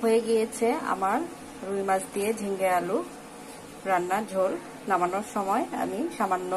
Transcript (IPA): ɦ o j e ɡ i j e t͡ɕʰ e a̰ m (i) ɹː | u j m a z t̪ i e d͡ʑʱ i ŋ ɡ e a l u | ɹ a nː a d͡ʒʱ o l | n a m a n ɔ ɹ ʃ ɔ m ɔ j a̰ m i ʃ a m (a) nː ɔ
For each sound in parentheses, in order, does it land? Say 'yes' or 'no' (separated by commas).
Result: no, yes